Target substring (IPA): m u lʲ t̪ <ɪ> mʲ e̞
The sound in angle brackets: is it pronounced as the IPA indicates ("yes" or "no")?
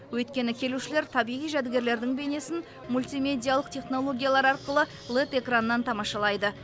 no